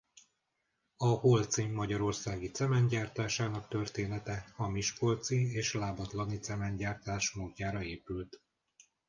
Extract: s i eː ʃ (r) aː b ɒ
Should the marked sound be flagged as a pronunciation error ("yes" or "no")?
yes